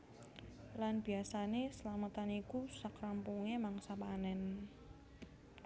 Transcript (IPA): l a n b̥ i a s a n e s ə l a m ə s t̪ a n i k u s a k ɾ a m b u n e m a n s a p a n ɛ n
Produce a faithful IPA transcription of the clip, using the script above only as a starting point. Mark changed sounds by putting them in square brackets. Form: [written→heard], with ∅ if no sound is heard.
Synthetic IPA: l a n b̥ i a s a n e s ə l a m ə [s→∅] t̪ a n i k u s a k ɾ a m [b→p] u [n→ŋ] e m a [n→ŋ] s a p a n ɛ n